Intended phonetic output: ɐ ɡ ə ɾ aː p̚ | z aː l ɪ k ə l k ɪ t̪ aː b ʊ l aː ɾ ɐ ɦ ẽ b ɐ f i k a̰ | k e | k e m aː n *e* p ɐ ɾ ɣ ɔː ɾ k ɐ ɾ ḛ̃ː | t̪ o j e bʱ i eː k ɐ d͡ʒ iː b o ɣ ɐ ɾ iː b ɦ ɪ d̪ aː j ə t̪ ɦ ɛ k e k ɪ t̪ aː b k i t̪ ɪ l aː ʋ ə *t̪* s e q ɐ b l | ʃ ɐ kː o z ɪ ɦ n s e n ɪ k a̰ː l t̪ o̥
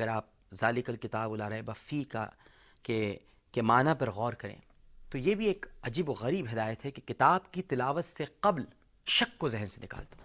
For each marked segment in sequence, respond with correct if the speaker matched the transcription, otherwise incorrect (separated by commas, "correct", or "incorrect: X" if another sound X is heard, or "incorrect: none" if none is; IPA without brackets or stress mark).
incorrect: a, correct